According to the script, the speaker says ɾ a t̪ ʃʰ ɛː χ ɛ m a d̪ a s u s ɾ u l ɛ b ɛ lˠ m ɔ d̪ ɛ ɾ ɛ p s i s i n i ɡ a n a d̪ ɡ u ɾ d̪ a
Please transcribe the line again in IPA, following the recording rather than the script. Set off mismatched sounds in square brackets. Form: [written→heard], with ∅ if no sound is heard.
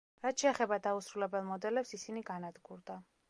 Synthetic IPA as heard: ɾ a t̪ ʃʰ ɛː χ ɛ [m→b] a d̪ a [s→∅] u s ɾ u l ɛ b ɛ lˠ m ɔ d̪ ɛ [ɾ→l] ɛ p s i s i n i ɡ a n a d̪ ɡ u ɾ d̪ a